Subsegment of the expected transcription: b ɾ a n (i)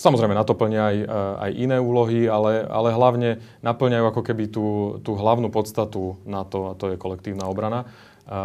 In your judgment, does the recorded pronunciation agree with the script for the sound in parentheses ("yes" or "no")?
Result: no